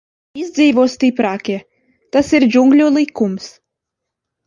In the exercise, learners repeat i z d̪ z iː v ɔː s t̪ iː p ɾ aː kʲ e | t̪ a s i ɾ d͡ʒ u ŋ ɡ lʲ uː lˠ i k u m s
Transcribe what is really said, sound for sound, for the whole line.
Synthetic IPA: i z d̪ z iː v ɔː s t̪ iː p ɾ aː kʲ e | t̪ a s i ɾ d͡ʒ u ŋ ɡ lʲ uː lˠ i k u m s